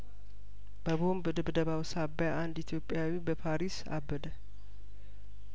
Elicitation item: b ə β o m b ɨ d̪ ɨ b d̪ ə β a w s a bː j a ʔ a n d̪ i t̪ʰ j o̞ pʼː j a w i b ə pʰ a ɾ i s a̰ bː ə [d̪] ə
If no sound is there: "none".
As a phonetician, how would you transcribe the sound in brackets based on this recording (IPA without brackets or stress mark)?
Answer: d̪